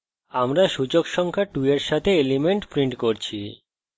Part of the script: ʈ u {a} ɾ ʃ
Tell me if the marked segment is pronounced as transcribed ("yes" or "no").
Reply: no